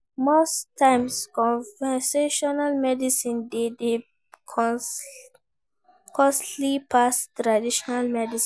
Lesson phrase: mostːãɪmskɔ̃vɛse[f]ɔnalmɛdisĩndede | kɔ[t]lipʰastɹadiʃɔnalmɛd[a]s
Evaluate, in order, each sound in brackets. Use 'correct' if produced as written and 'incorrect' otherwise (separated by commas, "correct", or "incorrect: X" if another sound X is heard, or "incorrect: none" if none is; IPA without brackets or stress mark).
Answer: incorrect: ʃ, incorrect: s, incorrect: i